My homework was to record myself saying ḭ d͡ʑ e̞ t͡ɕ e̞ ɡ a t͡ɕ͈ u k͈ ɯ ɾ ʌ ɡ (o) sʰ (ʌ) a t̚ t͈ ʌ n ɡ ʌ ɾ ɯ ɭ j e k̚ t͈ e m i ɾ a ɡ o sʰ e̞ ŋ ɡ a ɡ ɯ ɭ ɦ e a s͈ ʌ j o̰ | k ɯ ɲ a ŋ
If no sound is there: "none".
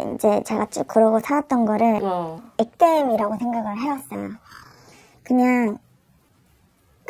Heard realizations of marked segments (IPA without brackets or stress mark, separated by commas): o, a